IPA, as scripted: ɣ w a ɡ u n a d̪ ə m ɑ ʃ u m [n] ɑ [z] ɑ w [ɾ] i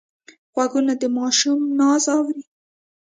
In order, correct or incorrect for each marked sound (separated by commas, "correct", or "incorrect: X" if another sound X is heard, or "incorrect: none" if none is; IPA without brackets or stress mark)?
correct, correct, correct